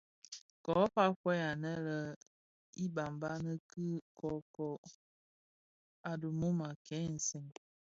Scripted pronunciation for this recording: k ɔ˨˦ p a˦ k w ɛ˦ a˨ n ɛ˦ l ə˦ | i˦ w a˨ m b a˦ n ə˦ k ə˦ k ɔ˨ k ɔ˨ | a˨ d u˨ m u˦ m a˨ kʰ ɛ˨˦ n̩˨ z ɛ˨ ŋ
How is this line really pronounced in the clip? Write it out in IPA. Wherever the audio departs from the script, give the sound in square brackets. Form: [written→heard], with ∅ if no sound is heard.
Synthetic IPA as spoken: k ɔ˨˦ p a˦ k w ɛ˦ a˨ n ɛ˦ l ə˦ | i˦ [w→b] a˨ m b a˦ n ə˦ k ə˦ k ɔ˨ k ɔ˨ | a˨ d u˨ m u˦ m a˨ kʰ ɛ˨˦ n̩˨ [z→s] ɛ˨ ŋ